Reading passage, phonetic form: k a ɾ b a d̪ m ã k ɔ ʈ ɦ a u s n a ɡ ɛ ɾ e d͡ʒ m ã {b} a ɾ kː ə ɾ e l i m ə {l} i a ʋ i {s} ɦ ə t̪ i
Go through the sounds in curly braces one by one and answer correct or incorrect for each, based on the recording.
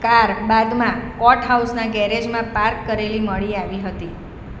incorrect, incorrect, incorrect

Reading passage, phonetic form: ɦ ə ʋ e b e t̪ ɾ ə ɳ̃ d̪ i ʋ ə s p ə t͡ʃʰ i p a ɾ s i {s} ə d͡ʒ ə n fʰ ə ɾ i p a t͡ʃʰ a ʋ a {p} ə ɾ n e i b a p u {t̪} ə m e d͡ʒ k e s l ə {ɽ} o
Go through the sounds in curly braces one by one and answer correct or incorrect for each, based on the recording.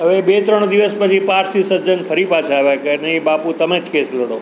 correct, incorrect, correct, correct

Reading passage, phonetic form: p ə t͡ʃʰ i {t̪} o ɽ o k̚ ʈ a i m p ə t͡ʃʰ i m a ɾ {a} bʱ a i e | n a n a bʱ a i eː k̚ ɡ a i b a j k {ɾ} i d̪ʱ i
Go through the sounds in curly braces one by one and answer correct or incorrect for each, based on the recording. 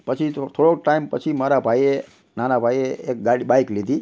incorrect, correct, incorrect

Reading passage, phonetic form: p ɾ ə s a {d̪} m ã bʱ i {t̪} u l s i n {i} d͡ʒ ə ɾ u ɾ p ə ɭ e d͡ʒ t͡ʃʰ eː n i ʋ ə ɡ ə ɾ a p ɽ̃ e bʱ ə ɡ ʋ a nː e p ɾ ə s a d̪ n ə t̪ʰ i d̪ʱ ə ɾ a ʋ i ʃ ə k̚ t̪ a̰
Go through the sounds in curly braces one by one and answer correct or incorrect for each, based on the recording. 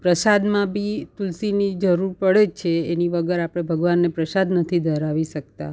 correct, correct, correct

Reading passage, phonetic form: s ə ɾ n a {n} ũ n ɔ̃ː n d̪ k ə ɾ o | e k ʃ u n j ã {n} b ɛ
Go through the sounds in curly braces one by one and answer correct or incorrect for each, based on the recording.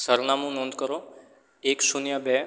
incorrect, incorrect

